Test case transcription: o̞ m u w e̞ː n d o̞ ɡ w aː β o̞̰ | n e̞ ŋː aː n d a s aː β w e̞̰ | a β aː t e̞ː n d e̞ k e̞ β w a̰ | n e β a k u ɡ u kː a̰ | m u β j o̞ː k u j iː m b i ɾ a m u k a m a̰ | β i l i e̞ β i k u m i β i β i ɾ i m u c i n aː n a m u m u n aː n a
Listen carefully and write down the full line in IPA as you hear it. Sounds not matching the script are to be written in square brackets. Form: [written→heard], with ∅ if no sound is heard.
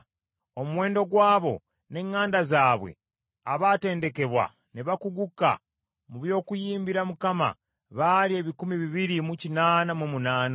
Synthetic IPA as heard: o̞ m u w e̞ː n d o̞ ɡ w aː β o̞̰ | n e̞ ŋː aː n d a [s→z] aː β w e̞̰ | a β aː t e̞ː n d e̞ k e̞ β w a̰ | n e β a k u ɡ u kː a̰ | m u β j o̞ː k u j iː m b i ɾ a m u k a m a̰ | β [i→a] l i e̞ β i k u m i β i β i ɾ i m u c i n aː n a m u m u n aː n a